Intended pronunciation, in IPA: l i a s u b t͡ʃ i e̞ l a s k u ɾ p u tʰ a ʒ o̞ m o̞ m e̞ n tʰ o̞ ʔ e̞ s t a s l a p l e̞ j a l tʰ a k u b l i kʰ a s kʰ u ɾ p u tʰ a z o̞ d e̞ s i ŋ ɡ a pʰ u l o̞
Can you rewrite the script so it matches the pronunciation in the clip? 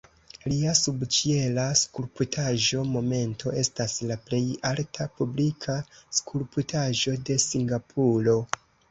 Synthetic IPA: l i a s u b t͡ʃ i e̞ l a s k u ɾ p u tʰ a ʒ o̞ m o̞ m e̞ n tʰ o̞ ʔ e̞ s t a s l a p l e̞ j a l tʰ a p u b l i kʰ a s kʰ u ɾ p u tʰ a ʒ o̞ d e̞ s i ŋ ɡ a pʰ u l o̞